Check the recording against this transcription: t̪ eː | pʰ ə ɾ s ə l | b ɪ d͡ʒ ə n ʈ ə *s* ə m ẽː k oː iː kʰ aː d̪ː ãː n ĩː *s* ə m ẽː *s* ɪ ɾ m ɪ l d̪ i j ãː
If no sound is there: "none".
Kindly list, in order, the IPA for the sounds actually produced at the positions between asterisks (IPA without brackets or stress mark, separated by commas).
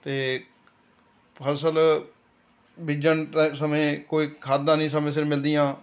s, s, s